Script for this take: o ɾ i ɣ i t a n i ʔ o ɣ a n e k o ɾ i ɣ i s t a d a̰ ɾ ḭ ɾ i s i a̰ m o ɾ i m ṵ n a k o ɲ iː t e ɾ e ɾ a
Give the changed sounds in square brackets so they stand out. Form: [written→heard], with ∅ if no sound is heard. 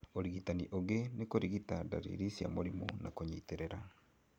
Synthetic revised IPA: o ɾ i ɣ i t a n i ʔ o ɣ [a→e] n e k o ɾ i ɣ i [s→∅] t a d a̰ ɾ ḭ ɾ i s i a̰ m o ɾ i m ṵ n a k o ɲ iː t e ɾ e ɾ a